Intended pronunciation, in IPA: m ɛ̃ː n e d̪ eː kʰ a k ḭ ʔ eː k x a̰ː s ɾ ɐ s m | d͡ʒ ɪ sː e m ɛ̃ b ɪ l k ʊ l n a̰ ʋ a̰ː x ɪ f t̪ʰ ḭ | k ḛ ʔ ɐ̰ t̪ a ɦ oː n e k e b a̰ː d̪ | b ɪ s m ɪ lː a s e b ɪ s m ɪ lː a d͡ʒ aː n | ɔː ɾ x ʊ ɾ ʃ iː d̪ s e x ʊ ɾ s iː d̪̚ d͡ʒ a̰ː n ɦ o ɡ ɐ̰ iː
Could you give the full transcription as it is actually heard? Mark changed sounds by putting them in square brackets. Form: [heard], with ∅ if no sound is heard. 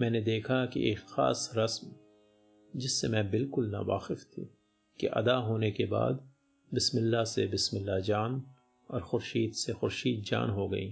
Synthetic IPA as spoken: m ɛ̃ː n e d̪ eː kʰ a k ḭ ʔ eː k x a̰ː s ɾ ɐ s m | d͡ʒ ɪ sː e m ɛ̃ b ɪ l k ʊ l n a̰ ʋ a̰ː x ɪ f t̪ʰ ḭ | k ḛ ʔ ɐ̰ [d̪] a ɦ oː n e k e b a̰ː d̪ | b ɪ s m ɪ lː a s e b ɪ s m ɪ lː a d͡ʒ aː n | ɔː ɾ x ʊ ɾ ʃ iː d̪ s e x ʊ ɾ [ʃ] iː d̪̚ d͡ʒ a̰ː n ɦ o ɡ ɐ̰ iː